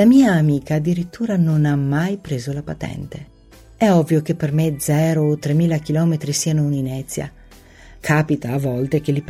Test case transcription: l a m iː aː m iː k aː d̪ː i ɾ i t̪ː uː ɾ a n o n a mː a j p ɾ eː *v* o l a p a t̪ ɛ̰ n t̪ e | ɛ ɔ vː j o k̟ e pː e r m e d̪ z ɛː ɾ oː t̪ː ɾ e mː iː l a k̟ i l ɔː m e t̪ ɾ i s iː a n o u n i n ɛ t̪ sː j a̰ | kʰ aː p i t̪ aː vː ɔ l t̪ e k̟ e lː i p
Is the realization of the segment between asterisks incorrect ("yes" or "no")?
yes